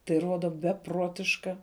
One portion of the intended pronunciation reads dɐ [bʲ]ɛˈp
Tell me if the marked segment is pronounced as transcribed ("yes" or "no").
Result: yes